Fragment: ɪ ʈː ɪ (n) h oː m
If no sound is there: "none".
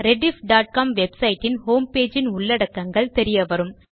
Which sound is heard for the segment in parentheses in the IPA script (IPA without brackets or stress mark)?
n